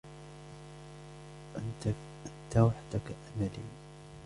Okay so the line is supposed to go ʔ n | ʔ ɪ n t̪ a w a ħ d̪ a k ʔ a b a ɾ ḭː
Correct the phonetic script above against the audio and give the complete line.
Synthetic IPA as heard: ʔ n | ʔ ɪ n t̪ a w a ħ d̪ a k ʔ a m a l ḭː